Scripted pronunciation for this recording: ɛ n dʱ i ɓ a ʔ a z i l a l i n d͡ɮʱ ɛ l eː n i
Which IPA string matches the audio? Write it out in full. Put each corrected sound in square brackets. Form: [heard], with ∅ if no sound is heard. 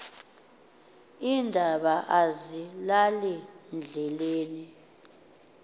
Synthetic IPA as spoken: [i] n dʱ [a] ɓ a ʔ a z i l a l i n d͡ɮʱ ɛ l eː n i